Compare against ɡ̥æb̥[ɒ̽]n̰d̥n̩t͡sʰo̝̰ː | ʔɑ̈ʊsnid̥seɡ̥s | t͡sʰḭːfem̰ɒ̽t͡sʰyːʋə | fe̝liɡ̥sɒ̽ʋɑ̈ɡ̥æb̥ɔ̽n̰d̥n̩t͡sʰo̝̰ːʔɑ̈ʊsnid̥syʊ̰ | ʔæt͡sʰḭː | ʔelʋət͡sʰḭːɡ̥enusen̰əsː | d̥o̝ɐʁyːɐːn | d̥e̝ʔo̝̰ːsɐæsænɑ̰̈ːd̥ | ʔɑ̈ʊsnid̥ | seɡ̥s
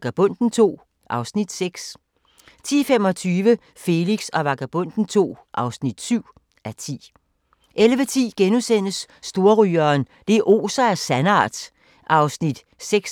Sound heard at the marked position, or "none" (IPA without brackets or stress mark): ɔ̽